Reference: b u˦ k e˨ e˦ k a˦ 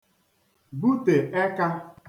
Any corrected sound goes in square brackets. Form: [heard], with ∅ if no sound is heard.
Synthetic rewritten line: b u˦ [t] e˨ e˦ k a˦